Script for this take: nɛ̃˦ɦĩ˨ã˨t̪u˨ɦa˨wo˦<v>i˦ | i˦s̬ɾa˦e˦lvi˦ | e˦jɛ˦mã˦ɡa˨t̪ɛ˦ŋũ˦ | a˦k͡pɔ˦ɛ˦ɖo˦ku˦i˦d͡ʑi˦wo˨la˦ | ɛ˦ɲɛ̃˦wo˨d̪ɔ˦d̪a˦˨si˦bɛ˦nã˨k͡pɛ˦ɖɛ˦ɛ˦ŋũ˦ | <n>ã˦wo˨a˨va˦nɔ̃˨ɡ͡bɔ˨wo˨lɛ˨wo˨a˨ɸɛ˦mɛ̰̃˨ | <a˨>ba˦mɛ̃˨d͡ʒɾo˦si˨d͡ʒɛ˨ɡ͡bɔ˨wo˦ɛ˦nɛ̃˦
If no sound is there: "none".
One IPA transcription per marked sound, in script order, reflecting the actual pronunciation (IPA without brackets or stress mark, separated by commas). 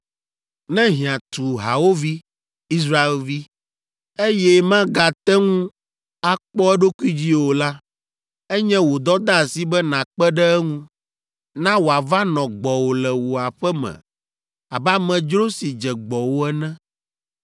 v, n, a˨